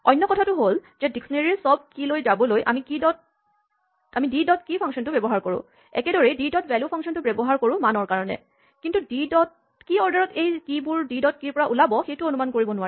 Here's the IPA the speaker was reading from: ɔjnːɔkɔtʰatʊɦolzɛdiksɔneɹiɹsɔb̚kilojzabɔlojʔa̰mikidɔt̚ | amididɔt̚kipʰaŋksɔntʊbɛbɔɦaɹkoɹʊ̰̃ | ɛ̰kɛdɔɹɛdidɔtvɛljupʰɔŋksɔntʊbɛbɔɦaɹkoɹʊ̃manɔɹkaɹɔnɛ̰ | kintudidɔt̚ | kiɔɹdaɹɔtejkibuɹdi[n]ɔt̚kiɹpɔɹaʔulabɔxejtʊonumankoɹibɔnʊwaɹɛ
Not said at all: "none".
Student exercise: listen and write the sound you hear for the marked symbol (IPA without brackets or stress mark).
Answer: d